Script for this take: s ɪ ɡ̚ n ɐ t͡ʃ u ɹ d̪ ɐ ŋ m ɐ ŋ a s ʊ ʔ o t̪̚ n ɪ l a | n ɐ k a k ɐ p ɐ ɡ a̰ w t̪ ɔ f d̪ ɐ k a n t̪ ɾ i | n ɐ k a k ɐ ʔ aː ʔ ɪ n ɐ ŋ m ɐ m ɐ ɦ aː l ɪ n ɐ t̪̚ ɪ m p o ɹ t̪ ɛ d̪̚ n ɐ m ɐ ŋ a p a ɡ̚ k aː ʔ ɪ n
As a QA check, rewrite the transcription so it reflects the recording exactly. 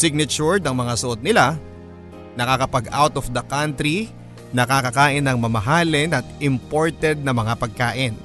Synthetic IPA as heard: s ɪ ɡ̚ n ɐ t͡ʃ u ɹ d̪ ɐ ŋ m ɐ ŋ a s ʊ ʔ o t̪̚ n ɪ l a | n ɐ k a k ɐ p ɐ ɡ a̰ w t̪ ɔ f d̪ ɐ k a n t̪ ɾ i | n ɐ k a k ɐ k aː ʔ ɪ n ɐ ŋ m ɐ m ɐ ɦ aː l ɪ n ɐ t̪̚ ɪ m p o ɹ t̪ ɛ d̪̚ n ɐ m ɐ ŋ a p ɐ ɡ̚ k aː ʔ ɪ n